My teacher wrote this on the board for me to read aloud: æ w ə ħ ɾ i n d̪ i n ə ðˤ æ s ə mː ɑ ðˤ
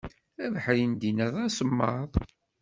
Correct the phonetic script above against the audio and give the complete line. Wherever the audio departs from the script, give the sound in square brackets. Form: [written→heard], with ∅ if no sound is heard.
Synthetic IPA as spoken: æ [w→v] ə ħ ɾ i n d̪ i n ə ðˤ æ s ə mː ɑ ðˤ